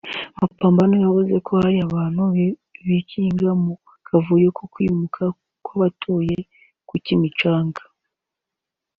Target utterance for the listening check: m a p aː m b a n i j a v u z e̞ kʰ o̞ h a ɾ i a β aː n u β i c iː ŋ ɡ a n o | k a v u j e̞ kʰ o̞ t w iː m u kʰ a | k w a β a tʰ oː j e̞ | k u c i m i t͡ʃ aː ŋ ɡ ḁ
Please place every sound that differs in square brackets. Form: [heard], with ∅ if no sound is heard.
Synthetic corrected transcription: m a p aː m b a n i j a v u z e̞ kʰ o̞ h a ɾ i a β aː n u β i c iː ŋ ɡ a [m] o | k a v u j e̞ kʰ o̞ [k] w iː m u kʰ a | k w a β a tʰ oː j e̞ | k u c i m i t͡ʃ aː ŋ ɡ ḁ